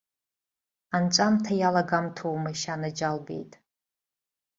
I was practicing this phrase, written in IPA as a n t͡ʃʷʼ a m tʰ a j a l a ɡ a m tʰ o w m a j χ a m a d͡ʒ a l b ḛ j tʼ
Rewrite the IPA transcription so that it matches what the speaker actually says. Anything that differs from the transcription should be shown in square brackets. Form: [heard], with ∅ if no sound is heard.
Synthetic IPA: a n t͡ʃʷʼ a m tʰ a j a l a ɡ a m tʰ o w m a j [ʃ] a [n] a d͡ʒ a l b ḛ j tʼ

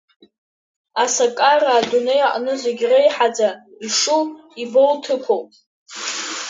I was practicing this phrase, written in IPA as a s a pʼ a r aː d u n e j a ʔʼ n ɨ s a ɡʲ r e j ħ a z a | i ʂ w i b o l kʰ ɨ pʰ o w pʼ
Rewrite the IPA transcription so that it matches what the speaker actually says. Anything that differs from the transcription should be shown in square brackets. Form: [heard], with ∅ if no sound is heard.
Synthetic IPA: a s a [kʼ] a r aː d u n e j a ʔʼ n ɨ [z] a ɡʲ r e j ħ a [d͡z] a | i ʂ [u] i b o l [tʰ] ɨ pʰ o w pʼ

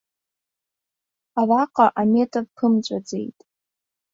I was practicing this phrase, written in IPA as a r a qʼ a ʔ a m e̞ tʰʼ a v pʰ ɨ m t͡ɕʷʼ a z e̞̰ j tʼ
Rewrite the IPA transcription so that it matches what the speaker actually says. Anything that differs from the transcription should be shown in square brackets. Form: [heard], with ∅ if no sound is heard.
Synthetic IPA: a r a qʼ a ʔ a m e̞ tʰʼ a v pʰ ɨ m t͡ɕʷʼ a [d͡z] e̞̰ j tʼ

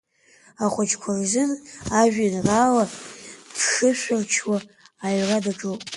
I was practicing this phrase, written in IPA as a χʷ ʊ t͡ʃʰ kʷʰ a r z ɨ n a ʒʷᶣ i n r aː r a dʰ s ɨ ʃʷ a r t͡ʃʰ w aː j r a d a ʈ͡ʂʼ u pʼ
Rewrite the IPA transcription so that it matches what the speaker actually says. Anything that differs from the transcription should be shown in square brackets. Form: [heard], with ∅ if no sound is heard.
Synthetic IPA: a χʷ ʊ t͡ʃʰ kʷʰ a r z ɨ n a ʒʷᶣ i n r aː [l] a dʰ [ʂ] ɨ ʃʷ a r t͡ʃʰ w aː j r a d a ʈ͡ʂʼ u pʼ

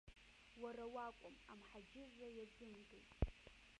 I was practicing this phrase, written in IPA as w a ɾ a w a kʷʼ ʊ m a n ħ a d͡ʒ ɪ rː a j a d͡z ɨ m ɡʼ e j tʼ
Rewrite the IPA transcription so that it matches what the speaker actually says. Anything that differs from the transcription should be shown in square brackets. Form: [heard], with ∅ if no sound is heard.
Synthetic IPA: w a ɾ a w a kʷʼ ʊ m a [m] ħ a d͡ʒ ɪ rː a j a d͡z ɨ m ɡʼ e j tʼ

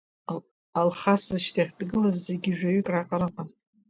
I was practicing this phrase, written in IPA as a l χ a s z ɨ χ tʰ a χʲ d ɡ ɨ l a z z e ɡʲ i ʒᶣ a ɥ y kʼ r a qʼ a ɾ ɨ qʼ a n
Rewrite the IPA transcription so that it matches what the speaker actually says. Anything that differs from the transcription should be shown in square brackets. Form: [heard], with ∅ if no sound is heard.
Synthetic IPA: a l χ a s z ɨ [ʃ] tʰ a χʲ d ɡ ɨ l a z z e ɡʲ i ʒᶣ a ɥ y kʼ r a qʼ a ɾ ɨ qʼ a n

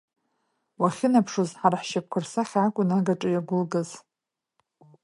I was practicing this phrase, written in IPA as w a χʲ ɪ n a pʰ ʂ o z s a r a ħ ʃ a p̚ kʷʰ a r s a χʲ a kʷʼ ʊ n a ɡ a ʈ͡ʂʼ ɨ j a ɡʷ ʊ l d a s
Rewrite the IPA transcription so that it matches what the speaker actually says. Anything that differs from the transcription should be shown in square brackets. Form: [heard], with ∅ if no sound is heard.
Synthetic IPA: w a χʲ ɪ n a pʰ ʂ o z [ħ] a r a ħ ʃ a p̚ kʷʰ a r s a χʲ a kʷʼ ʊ n a ɡ a ʈ͡ʂʼ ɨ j a ɡʷ ʊ l [ɡ] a [z]

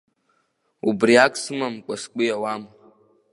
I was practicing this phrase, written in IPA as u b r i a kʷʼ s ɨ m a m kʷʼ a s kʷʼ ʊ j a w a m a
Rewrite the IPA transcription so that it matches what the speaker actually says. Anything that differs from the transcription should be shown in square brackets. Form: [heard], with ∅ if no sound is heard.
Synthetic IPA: u b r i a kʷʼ s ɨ m a m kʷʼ a s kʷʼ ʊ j a w a m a

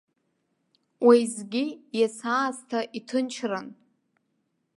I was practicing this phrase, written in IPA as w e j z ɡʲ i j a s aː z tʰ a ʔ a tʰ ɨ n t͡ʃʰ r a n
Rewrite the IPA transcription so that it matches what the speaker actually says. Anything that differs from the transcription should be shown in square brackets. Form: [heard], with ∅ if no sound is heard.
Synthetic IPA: w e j z ɡʲ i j a s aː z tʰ a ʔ [i] tʰ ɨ n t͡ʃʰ r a n

